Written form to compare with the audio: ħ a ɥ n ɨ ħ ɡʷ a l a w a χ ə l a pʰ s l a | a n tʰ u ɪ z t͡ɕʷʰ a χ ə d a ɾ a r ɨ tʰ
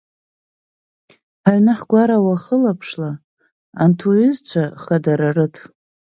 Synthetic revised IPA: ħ a ɥ n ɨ ħ ɡʷ a ɾ a w a χ ə l a pʰ ʂ l a | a n tʰ u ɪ z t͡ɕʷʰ a χ a d a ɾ a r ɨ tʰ